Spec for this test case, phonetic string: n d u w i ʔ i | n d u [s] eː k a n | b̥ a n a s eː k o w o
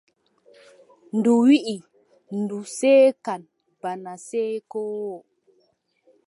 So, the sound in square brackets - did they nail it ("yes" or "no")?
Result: yes